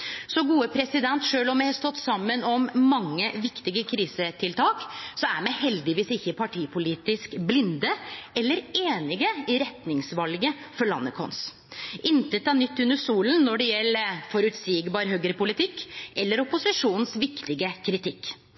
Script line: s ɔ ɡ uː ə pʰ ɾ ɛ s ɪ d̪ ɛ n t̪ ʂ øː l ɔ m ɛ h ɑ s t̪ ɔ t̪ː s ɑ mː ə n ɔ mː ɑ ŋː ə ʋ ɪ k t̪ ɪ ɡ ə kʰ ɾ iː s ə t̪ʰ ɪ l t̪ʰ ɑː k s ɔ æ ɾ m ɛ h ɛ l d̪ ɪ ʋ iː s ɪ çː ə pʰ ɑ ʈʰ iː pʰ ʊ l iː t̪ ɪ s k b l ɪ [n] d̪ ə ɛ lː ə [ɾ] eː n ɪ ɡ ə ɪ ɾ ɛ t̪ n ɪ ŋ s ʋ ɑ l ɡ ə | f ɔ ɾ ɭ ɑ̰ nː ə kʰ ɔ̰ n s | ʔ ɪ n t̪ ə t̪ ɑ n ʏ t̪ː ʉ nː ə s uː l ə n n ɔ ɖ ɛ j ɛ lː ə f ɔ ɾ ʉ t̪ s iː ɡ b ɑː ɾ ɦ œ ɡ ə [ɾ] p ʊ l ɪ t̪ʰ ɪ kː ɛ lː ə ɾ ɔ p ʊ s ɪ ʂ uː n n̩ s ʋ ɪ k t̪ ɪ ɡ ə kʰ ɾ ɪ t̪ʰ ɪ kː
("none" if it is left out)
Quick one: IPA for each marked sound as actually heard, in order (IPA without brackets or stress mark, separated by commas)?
n, ɾ, ɾ